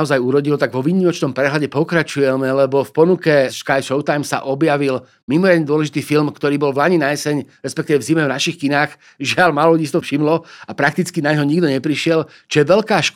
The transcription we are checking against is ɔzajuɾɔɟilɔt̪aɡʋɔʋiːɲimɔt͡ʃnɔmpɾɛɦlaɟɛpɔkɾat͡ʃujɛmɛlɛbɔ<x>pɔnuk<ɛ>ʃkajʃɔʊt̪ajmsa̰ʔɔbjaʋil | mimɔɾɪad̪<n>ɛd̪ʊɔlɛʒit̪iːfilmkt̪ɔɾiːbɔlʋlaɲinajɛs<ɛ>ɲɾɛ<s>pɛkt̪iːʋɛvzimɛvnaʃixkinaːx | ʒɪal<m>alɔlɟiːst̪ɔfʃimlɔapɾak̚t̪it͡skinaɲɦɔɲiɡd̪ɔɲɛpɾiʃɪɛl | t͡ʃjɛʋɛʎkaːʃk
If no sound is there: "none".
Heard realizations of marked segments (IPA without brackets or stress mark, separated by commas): f, ɛ, ɲ, ɛ, s, m